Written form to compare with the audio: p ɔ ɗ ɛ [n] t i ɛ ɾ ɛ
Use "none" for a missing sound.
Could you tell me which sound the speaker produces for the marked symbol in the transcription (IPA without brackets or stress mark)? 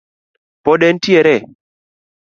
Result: n